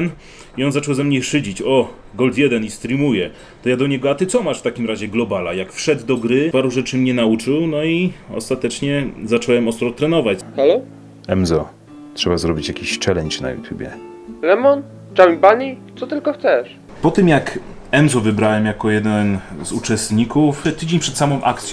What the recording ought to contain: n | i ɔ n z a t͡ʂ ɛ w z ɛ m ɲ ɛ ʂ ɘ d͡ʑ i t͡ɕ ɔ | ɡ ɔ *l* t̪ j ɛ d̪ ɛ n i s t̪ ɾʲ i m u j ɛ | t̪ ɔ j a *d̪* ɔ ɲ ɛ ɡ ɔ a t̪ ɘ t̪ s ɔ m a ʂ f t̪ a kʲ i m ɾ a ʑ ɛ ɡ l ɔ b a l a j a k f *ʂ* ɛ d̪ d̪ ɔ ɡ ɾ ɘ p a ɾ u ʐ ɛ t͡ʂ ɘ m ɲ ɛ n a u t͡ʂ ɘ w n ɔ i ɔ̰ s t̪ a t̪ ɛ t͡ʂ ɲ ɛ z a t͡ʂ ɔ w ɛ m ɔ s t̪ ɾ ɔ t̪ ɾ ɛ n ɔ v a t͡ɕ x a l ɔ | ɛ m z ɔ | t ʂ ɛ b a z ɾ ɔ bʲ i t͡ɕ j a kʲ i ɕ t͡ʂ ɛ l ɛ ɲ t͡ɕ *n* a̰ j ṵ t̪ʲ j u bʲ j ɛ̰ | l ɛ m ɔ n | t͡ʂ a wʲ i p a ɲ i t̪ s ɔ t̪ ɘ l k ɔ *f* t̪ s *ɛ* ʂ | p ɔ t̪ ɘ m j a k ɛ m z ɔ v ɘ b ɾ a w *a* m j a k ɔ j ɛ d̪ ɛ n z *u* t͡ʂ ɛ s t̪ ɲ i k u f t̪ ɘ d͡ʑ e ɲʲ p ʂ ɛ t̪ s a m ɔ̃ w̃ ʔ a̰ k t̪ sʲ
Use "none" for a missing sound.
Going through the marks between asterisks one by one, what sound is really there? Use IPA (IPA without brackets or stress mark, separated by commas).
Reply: l, d̪, ʂ, n, x, ɛ, ɛ, u